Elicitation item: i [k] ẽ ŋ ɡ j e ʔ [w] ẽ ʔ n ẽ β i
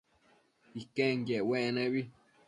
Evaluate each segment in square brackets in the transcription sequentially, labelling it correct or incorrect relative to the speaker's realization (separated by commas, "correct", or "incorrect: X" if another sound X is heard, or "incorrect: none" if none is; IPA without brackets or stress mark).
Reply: correct, correct